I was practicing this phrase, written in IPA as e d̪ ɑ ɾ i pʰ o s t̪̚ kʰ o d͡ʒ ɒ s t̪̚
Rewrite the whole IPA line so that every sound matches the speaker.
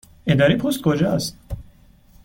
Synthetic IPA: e d̪ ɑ ɾ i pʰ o s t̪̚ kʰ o d͡ʒ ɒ s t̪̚